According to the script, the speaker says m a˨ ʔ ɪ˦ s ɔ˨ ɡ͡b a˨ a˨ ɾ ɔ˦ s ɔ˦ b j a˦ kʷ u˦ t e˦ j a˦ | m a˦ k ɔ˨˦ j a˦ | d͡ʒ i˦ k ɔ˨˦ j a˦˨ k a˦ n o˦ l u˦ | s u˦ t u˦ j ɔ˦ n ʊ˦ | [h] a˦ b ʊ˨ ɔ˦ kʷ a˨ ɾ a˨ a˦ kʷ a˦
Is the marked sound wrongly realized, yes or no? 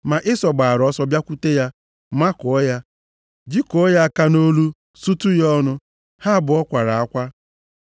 no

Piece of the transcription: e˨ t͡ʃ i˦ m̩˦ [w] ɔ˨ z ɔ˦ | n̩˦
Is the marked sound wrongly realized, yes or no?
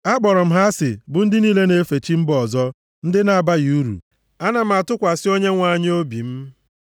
yes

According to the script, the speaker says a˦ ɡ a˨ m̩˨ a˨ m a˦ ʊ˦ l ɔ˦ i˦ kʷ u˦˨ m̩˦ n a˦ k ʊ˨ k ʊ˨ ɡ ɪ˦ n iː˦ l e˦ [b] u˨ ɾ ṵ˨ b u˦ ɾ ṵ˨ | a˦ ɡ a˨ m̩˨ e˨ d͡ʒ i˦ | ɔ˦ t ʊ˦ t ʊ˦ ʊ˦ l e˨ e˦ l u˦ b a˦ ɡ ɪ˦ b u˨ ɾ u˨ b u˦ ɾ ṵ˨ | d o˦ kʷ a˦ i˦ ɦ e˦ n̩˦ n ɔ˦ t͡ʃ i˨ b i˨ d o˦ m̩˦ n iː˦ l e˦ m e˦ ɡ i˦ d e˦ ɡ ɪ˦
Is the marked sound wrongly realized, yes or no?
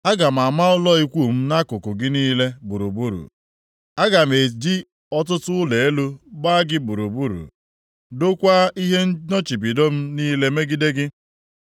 no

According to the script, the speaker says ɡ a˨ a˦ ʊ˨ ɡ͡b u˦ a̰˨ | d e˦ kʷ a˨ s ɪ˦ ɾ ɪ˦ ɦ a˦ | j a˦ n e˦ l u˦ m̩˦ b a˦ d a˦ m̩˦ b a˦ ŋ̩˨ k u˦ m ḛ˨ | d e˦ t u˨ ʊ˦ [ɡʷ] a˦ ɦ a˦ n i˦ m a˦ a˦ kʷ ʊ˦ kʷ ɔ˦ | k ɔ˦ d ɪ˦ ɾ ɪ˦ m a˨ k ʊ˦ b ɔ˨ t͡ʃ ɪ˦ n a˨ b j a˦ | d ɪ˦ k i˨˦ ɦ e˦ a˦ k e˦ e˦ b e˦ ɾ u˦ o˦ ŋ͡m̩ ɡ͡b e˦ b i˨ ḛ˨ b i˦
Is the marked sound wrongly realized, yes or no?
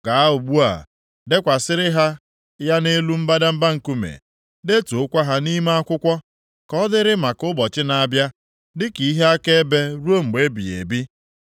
yes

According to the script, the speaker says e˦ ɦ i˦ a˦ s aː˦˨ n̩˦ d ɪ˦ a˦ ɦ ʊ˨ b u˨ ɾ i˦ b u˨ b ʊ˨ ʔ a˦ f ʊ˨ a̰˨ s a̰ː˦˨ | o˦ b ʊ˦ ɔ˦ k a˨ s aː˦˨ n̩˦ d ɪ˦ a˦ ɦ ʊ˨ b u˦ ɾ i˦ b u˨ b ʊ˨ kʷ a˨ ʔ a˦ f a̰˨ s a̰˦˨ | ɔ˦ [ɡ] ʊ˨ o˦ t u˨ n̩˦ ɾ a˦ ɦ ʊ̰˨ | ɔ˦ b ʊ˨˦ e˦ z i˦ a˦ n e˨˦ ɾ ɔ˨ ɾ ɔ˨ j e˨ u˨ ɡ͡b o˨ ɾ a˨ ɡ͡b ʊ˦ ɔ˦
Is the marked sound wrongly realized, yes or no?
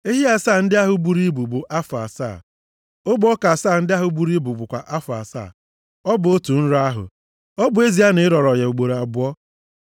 yes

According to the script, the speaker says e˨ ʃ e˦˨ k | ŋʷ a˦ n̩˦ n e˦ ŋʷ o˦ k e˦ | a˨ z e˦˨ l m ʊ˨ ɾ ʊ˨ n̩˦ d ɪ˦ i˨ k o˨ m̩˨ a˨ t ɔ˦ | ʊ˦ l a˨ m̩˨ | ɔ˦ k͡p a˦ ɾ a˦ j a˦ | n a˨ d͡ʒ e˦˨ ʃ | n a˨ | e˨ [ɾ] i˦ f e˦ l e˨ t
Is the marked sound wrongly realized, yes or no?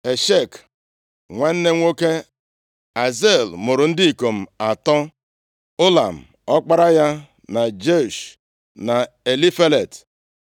yes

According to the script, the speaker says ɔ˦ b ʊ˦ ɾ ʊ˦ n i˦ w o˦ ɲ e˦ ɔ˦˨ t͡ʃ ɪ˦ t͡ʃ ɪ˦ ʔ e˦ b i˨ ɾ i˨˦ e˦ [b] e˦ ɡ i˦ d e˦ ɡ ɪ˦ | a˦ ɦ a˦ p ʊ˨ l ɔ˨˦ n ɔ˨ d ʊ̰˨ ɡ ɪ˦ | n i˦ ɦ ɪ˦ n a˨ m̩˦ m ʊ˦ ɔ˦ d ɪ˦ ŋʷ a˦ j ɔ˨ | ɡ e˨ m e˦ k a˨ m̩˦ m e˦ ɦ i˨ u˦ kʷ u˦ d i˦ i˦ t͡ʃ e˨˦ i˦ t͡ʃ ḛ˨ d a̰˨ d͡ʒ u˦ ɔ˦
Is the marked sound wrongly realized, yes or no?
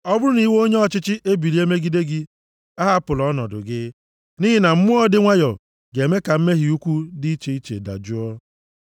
yes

